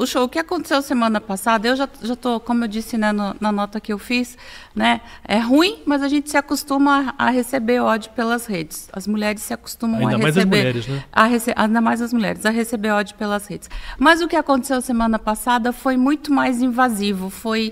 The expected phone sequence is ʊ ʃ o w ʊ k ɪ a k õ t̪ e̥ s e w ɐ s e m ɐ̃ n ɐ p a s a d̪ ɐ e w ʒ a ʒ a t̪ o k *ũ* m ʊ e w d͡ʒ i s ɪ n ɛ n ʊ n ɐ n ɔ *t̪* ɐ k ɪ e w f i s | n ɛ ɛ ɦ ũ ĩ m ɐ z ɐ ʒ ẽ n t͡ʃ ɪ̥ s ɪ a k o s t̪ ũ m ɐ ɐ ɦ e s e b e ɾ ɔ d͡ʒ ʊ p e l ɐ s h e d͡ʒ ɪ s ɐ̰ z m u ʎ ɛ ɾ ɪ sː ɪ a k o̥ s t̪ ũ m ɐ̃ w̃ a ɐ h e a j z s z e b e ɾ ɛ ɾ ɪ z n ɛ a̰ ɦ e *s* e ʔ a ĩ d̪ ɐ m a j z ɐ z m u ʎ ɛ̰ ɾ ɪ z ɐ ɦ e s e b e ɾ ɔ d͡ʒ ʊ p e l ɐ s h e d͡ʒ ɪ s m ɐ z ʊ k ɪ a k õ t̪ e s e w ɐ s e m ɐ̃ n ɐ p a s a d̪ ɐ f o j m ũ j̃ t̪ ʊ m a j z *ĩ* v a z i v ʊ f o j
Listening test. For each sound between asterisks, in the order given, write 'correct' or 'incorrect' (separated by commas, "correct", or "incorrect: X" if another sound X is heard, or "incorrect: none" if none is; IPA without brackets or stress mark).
incorrect: õ, correct, correct, correct